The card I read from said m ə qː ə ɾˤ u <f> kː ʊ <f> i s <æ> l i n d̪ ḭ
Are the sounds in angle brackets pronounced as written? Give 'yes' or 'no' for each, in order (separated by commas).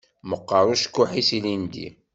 no, no, no